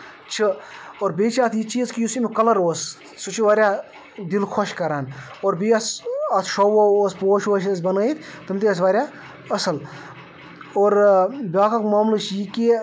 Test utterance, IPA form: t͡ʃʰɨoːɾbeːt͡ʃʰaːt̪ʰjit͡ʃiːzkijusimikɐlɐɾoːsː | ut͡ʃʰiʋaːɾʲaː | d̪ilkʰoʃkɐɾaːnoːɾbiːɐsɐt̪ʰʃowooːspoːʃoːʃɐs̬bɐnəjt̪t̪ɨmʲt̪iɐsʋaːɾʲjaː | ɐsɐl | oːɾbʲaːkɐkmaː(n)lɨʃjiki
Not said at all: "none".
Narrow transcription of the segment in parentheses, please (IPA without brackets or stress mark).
m